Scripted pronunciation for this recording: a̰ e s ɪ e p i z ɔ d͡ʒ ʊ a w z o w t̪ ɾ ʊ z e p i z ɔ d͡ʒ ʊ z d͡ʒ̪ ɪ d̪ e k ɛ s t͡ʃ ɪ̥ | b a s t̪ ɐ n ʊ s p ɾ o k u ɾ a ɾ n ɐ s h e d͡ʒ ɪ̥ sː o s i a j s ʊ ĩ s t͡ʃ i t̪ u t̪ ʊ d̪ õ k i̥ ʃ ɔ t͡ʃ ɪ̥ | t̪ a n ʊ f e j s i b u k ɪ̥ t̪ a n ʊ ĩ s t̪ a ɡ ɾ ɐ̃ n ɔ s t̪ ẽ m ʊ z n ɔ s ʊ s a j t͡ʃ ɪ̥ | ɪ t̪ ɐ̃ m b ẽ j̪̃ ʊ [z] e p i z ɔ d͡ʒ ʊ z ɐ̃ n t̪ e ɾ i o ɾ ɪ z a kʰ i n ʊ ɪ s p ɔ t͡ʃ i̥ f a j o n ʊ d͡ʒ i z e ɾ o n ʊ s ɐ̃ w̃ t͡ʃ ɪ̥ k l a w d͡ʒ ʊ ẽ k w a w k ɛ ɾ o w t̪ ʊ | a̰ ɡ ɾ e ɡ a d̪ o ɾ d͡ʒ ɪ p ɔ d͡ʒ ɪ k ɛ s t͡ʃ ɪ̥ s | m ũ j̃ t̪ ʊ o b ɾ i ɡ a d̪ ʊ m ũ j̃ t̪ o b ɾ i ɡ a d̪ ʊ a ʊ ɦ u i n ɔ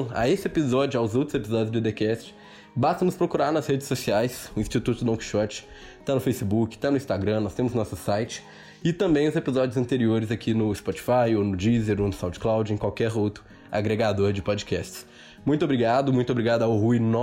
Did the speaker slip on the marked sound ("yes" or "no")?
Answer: no